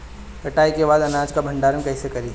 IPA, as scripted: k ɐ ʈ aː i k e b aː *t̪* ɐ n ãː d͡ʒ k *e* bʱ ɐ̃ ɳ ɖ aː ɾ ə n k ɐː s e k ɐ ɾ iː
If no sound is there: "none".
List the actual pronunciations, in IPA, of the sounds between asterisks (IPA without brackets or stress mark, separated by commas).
d̪, a